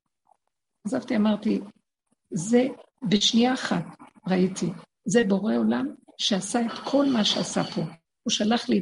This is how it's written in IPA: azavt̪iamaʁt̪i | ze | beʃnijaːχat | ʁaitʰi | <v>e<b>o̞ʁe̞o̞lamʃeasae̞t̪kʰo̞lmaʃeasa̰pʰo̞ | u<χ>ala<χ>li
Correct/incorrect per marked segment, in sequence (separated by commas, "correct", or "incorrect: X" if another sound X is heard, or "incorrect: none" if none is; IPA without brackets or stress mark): incorrect: z, correct, incorrect: ʃ, correct